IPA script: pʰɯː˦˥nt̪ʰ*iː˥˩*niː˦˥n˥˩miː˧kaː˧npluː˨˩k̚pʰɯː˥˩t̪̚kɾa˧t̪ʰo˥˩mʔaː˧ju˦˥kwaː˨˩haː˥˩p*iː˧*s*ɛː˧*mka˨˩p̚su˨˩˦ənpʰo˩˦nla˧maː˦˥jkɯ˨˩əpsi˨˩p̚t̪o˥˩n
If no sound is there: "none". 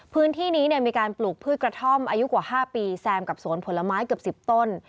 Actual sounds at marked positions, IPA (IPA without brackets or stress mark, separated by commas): iː˥˩, iː˧, ɛː˧